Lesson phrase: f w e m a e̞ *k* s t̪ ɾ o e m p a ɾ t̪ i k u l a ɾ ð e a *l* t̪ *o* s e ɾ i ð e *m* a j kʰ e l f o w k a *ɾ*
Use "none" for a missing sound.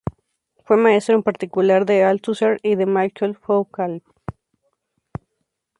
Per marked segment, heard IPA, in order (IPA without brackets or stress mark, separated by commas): none, l, u, m, l